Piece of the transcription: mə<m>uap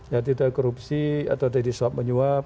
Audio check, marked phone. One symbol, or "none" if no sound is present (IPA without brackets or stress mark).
ɲ